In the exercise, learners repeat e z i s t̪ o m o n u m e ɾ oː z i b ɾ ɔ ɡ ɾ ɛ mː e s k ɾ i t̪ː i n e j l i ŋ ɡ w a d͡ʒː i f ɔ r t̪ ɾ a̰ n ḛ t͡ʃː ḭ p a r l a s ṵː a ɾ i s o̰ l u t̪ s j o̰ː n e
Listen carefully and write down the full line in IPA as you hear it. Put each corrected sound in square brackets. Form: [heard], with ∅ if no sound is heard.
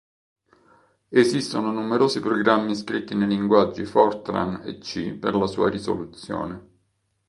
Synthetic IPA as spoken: e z i s t̪ o [n] o n u m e ɾ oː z i [p] ɾ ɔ ɡ ɾ [a] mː [i] s k ɾ i t̪ː i n e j l i ŋ ɡ w a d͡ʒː i f ɔ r t̪ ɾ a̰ n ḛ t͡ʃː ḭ p [e] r l a s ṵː a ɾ i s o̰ l u t̪ s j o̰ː n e